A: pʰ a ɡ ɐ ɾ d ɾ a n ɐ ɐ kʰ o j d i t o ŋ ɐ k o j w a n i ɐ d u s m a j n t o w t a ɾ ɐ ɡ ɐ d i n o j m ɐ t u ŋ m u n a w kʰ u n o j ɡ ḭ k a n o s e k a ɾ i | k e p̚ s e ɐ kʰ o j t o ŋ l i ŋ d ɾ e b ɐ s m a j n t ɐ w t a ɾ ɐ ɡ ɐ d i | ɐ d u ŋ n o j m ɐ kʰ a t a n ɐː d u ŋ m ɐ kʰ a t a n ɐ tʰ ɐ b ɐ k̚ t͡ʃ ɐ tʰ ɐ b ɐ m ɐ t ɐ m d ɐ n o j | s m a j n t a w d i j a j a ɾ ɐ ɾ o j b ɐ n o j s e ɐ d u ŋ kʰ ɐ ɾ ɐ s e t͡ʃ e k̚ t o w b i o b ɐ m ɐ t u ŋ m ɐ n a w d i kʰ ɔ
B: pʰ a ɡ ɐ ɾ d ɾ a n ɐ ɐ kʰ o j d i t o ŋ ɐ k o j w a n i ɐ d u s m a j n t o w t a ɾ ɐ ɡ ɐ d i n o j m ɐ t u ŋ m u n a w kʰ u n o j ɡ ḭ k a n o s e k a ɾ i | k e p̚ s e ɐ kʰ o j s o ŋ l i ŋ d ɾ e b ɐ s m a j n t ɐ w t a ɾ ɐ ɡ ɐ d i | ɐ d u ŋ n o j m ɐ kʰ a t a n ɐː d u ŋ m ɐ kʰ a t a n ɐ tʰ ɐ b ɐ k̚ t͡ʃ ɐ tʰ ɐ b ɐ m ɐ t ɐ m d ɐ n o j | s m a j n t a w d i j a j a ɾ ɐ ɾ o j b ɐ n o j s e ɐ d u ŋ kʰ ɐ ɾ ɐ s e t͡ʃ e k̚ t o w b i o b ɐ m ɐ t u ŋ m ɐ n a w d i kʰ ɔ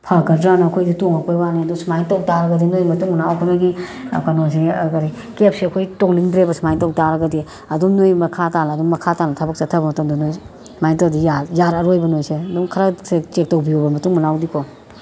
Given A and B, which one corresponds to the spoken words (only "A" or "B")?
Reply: A